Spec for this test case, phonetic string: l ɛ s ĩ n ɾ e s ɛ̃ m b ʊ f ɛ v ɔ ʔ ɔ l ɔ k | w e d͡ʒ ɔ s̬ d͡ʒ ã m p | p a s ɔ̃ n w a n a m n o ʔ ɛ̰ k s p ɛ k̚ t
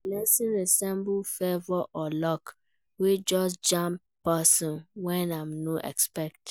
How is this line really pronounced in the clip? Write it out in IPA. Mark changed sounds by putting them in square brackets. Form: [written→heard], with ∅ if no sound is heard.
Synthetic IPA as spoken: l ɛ s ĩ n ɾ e s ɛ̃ m b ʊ f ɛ v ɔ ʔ ɔ l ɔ k | w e d͡ʒ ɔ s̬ d͡ʒ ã m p | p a s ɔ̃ n w [a→ɛ] n a m n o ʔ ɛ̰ k s p ɛ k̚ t